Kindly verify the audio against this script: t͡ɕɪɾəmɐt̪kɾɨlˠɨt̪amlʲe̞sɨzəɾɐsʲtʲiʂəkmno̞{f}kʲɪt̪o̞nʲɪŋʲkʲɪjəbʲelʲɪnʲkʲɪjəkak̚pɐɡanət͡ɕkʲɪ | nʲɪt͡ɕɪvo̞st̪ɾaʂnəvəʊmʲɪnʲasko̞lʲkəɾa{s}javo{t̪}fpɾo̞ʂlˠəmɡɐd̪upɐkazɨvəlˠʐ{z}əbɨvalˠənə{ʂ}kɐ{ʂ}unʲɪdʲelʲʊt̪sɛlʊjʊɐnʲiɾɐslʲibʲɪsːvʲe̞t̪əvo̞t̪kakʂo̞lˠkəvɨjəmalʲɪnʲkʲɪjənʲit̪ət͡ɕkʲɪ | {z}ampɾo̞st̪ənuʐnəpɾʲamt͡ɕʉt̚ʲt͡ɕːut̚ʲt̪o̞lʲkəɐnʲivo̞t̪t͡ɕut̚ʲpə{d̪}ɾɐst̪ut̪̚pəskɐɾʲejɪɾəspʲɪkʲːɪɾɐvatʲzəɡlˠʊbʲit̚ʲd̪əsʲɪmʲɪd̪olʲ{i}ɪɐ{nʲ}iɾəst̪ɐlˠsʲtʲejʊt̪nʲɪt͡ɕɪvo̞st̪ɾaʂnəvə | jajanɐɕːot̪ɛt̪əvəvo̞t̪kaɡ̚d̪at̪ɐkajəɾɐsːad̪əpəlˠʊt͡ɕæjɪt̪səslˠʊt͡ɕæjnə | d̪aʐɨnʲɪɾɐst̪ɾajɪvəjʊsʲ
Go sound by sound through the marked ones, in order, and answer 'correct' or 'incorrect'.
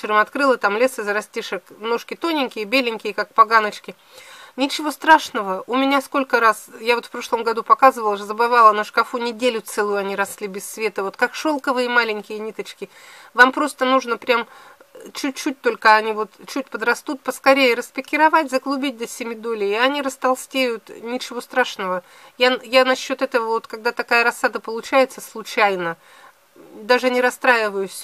incorrect: ʂ, correct, correct, correct, correct, incorrect: f, incorrect: v, correct, incorrect: ɪ, correct

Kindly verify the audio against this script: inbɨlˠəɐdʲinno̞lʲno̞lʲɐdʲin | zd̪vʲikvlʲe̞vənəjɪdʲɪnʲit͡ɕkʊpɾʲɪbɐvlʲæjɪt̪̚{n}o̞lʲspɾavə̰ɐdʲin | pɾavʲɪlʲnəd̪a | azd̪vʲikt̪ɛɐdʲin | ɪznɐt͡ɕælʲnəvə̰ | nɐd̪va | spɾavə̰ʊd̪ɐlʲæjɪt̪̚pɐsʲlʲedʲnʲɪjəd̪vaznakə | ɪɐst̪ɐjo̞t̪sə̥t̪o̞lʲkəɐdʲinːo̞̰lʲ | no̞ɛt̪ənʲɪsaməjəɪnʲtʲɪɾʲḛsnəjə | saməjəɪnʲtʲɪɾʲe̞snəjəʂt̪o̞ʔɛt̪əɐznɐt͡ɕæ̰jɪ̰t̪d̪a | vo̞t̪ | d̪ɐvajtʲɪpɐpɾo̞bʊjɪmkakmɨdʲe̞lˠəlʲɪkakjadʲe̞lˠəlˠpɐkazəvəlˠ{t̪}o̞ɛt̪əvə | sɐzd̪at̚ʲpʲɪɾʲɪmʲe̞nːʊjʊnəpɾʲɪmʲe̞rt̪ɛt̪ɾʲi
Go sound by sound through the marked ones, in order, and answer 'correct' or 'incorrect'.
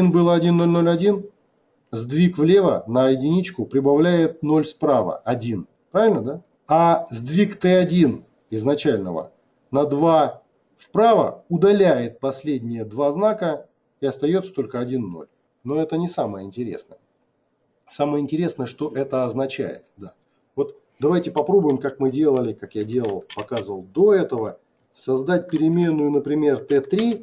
correct, incorrect: d̪

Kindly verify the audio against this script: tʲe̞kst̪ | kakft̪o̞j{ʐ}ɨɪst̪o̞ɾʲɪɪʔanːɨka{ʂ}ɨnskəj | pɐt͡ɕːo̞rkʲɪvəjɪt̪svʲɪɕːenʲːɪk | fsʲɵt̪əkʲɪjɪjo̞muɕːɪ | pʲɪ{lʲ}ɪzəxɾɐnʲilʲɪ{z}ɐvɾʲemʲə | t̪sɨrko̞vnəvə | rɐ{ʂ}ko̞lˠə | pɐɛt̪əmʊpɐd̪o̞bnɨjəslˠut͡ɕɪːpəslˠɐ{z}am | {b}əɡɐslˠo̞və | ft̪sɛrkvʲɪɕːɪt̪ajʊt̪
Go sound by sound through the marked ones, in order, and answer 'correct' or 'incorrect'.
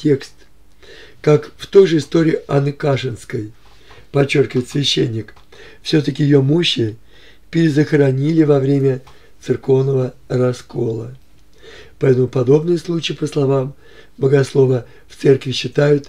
correct, correct, incorrect: ɾʲ, incorrect: v, incorrect: s, incorrect: v, correct

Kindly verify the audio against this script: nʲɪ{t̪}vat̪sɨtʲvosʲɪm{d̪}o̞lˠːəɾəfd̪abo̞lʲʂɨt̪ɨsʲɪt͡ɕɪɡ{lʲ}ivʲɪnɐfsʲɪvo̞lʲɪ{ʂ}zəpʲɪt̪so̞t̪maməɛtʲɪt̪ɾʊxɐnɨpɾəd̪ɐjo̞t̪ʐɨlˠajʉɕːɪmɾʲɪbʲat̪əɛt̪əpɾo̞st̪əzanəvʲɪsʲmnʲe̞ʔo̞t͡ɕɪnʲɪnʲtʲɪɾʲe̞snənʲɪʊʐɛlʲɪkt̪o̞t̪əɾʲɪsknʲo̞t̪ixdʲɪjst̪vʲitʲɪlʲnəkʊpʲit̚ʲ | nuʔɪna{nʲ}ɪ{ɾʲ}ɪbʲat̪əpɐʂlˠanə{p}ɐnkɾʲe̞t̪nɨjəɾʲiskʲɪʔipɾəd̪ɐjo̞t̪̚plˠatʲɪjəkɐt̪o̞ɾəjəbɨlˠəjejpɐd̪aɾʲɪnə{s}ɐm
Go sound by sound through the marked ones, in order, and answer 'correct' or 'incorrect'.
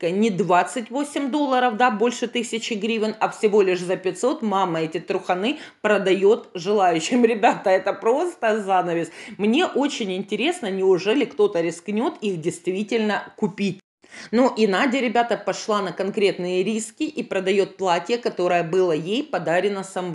incorrect: d̪, correct, incorrect: ɾʲ, correct, incorrect: dʲ, correct, incorrect: k, correct

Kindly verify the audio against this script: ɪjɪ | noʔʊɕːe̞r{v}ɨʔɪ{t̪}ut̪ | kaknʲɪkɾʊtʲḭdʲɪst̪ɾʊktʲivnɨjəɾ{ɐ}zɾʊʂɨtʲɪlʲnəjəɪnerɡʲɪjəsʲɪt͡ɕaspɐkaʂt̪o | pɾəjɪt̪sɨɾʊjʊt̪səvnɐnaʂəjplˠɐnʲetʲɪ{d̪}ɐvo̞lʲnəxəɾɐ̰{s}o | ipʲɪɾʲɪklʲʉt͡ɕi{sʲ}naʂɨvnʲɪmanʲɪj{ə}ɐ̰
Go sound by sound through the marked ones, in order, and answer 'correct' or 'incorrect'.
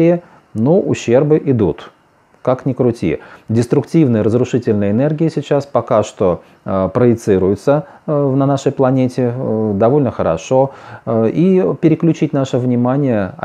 incorrect: b, incorrect: d̪, incorrect: ə, correct, incorrect: ʂ, incorrect: tʲ, correct

